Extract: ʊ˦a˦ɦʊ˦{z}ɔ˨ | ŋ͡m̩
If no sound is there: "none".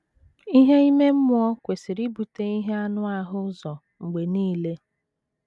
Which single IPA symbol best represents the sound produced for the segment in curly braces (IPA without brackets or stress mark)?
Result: z